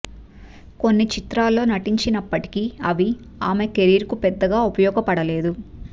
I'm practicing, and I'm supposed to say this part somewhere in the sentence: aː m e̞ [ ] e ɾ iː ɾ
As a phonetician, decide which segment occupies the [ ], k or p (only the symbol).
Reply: k